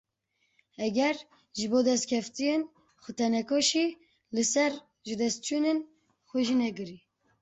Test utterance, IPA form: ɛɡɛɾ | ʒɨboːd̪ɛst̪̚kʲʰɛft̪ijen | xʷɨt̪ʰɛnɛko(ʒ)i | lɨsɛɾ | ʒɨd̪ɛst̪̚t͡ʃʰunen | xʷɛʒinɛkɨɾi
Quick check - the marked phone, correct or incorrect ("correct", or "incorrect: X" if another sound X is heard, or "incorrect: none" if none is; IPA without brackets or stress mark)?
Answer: incorrect: ʃ